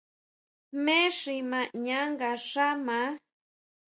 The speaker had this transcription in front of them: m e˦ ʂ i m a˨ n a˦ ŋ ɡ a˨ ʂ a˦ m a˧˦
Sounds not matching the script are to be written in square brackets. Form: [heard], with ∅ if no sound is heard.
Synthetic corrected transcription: m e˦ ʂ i m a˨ [ɲ] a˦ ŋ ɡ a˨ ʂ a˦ m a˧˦